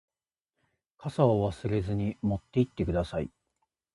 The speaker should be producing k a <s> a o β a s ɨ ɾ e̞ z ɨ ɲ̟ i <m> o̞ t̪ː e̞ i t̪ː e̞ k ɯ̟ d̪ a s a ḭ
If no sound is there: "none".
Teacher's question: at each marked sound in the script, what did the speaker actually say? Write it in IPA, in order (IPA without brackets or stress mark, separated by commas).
s, m